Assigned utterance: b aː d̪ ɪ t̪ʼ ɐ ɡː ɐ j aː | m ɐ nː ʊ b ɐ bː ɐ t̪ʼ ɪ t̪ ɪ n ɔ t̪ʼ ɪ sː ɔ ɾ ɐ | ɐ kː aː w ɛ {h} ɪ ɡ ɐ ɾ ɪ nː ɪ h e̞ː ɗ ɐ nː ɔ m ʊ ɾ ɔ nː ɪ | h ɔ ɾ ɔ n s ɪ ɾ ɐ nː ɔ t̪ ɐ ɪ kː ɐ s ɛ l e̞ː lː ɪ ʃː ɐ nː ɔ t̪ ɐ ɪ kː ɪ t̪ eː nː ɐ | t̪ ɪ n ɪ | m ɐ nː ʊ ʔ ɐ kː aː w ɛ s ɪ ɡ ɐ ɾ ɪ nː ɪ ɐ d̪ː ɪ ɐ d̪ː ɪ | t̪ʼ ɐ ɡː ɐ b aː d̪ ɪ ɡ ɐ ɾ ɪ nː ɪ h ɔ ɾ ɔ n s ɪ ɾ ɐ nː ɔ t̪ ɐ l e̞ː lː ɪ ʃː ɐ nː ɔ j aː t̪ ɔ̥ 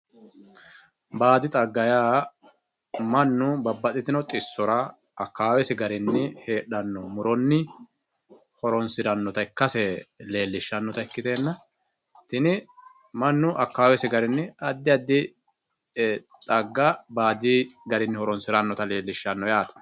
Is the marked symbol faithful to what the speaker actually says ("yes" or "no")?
no